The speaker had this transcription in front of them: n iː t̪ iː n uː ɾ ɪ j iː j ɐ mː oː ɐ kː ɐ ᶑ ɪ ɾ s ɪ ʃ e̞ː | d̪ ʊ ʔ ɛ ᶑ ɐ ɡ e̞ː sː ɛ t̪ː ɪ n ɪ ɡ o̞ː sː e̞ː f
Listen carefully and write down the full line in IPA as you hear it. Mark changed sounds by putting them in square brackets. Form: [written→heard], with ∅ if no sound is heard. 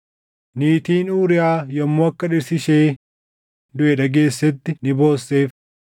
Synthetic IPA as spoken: n iː t̪ iː n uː ɾ ɪ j [iː→aː] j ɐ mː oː ɐ kː ɐ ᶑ ɪ ɾ s ɪ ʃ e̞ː | d̪ ʊ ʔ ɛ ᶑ ɐ ɡ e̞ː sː ɛ t̪ː ɪ n ɪ [ɡ→b] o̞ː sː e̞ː f